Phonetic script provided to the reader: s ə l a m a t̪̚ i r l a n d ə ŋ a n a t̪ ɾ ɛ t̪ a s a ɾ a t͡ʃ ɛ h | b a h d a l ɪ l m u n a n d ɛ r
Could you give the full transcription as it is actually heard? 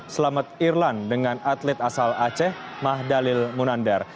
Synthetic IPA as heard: s ə l a m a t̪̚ i r l a n d ə ŋ a n a t̪ l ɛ t̪ a s a l a t͡ʃ ɛ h | m a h d a l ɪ l m u n a n d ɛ r